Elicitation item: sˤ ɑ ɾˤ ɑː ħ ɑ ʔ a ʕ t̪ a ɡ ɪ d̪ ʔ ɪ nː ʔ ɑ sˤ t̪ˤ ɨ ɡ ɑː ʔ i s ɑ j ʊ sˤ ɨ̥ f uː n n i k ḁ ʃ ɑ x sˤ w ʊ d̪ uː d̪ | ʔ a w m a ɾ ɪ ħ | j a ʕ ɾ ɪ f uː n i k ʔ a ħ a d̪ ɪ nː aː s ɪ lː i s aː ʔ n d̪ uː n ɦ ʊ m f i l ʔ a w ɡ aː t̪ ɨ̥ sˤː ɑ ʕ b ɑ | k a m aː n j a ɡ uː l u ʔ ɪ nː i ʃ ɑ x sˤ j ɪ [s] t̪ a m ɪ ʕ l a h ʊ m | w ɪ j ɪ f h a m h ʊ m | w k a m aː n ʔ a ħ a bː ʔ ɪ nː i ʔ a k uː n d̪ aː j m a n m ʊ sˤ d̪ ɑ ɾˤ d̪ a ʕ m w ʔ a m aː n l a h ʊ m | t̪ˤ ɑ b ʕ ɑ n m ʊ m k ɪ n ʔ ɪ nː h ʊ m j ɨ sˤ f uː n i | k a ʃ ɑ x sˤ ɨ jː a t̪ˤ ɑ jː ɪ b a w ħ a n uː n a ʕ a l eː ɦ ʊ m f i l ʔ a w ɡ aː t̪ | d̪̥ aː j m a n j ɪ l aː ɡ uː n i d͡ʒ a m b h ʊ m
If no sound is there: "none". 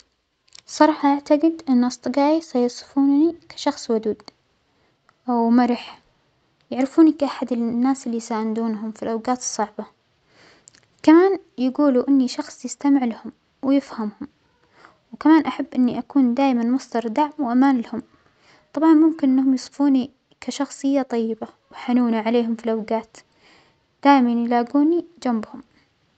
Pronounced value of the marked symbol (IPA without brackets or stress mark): s